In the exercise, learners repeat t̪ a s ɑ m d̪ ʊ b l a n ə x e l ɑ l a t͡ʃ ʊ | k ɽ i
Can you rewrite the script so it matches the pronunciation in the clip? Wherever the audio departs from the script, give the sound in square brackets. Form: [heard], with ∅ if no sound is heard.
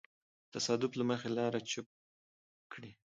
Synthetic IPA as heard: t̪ a s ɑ [∅] d̪ ʊ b l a [m] ə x e l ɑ [ɾ] a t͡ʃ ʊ | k ɽ i